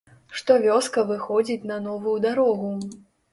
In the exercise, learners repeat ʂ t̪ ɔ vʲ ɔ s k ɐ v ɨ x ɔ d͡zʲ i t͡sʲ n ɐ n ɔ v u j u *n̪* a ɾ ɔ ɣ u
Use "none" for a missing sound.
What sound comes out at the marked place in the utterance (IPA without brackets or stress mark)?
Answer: d̪